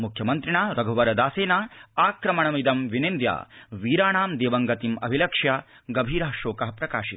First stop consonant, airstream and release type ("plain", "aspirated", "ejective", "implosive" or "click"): aspirated